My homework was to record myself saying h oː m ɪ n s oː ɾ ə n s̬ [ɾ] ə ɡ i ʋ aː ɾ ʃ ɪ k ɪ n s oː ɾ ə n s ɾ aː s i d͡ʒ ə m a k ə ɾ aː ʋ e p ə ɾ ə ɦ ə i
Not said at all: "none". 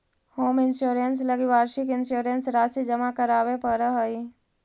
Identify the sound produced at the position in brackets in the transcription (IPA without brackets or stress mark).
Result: l